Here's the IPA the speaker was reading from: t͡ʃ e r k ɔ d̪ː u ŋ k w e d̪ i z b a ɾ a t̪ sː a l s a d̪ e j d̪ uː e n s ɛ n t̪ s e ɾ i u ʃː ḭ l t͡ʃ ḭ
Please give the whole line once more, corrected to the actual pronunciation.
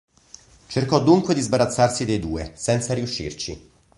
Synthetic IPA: t͡ʃ e r k ɔ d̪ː u ŋ k w e d̪ i z b a ɾ a t̪ sː a r s i d̪ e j d̪ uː e s ɛ n t̪ s a ɾ i u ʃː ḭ r t͡ʃ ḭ